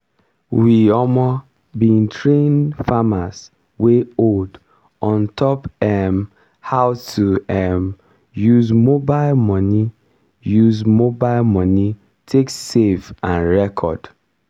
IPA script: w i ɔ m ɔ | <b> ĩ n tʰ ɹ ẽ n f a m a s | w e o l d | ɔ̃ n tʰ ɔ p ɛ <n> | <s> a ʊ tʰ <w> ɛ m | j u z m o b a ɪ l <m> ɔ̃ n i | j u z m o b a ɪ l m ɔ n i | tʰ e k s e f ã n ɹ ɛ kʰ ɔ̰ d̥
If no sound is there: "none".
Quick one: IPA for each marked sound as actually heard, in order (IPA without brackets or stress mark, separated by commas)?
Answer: b, m, h, u, m